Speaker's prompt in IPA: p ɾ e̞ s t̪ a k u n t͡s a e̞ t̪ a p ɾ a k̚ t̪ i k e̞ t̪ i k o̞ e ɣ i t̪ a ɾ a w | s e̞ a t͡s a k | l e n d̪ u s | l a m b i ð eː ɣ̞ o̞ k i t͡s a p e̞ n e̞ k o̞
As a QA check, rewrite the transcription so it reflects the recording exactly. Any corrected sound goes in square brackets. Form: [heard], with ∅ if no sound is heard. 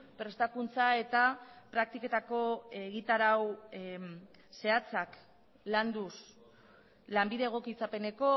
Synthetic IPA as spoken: p ɾ e̞ s t̪ a k u n t͡s a e̞ t̪ a p ɾ a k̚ t̪ i k e̞ t̪ [a] k o̞ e ɣ i t̪ a ɾ a w | s e̞ a t͡s a k | l [a] n d̪ u s | l a m b i ð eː ɣ̞ o̞ k i t͡s a p e̞ n e̞ k o̞

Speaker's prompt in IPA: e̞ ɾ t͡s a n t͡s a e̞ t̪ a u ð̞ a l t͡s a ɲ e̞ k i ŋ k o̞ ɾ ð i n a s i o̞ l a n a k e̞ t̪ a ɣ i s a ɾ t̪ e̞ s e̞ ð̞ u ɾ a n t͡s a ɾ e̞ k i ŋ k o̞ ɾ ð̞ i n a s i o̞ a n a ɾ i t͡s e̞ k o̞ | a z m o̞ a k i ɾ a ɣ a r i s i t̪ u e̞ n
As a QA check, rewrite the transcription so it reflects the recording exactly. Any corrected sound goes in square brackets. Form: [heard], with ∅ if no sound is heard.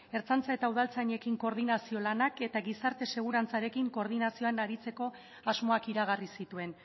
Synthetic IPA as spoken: e̞ ɾ t͡s a n t͡s a e̞ t̪ a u ð̞ a l t͡s a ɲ e̞ k i ŋ k o̞ ɾ ð i n a s i o̞ l a n a k e̞ t̪ a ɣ i s a ɾ t̪ e̞ s e̞ [ɣ̞] u ɾ a n t͡s a ɾ e̞ k i ŋ k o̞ ɾ ð̞ i n a s i o̞ a n a ɾ i t͡s e̞ k o̞ | a z m o̞ a k i ɾ a ɣ a r i s i t̪ u e̞ n

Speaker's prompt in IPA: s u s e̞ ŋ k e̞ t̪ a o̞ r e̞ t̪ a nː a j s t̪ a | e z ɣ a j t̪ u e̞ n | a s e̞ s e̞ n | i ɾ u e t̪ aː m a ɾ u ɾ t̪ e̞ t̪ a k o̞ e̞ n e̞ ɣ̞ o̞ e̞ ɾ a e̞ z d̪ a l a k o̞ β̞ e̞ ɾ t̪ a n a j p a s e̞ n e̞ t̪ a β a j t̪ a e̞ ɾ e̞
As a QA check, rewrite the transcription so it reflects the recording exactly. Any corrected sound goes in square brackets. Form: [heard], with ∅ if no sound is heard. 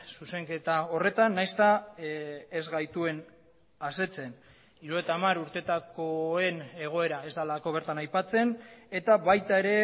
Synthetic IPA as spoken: s u s e̞ ŋ k e̞ t̪ a o̞ r e̞ t̪ a nː a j s t̪ a | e z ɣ a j t̪ u e̞ n | a s e̞ [t͡s] e̞ n | i ɾ u e t̪ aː m a ɾ u ɾ t̪ e̞ t̪ a k o̞ e̞ n e̞ ɣ̞ o̞ e̞ ɾ a e̞ z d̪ a l a k o̞ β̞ e̞ ɾ t̪ a n a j p a [t͡s] e̞ n e̞ t̪ a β a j t̪ a e̞ ɾ e̞

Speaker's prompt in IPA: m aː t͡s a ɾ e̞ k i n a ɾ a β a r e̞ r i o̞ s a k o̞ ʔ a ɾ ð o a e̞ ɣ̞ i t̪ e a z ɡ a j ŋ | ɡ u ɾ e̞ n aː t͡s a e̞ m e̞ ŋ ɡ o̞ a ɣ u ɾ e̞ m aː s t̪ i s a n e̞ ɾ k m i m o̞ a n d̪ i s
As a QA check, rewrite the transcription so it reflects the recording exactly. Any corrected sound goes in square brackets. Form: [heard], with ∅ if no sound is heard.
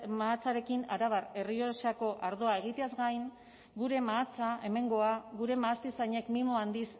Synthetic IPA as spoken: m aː t͡s a ɾ e̞ k i n a ɾ a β a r e̞ r i o̞ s a k o̞ ʔ a ɾ ð o a e̞ ɣ̞ i t̪ e a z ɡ a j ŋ | ɡ u ɾ e̞ [m] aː t͡s a e̞ m e̞ ŋ ɡ o̞ a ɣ u ɾ e̞ m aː s t̪ i s a [ɲ] e̞ [∅] k m i m o̞ a n d̪ i s

